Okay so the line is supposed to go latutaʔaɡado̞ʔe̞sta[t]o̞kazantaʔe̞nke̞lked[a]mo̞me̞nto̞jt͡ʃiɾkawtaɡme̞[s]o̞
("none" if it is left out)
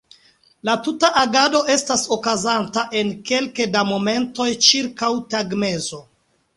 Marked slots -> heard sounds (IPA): s, a, z

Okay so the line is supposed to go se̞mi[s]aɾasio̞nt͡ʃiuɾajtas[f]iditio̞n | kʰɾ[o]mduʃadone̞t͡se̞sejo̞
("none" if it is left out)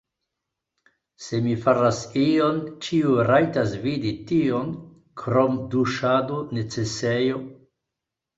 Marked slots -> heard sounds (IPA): f, v, o

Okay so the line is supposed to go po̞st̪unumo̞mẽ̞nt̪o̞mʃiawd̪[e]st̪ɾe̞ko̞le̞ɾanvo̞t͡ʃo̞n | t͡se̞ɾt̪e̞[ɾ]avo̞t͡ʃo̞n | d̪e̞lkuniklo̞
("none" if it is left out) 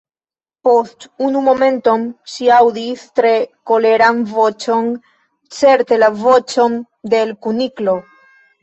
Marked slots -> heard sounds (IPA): i, l

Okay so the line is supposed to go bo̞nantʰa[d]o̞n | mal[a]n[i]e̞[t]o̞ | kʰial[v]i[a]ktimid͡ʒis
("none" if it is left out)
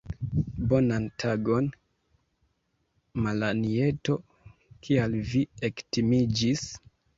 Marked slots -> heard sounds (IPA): ɡ, a, i, t, v, e

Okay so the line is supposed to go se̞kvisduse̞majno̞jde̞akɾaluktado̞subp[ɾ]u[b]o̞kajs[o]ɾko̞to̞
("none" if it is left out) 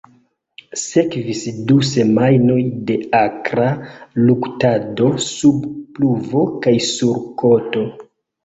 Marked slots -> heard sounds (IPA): l, v, u

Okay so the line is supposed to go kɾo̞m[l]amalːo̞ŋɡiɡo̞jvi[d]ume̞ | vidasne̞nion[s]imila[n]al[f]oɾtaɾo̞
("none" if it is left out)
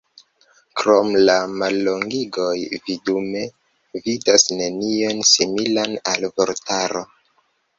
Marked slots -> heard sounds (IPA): l, d, s, n, v

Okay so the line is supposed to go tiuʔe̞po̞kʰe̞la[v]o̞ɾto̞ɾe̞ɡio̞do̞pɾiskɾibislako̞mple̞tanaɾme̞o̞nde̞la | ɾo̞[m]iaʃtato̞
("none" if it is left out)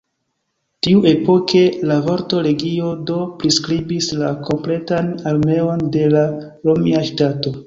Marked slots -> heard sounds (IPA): v, m

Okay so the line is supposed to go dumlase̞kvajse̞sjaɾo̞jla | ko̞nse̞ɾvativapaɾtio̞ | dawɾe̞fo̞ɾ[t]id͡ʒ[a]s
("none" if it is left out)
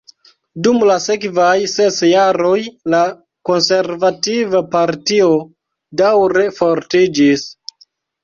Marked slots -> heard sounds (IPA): t, i

